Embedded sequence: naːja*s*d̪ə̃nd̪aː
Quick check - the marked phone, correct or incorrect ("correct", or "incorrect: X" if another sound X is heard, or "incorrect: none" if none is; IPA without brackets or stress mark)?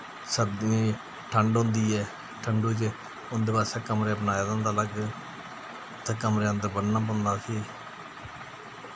incorrect: none